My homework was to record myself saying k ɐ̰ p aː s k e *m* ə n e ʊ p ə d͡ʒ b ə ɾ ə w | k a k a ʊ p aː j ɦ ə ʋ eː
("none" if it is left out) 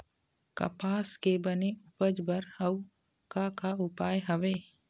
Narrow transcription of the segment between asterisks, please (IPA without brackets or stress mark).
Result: b